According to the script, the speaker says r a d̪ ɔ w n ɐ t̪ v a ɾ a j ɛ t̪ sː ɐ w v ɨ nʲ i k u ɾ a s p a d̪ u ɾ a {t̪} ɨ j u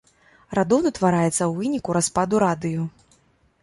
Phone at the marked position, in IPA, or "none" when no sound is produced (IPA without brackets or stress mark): d̪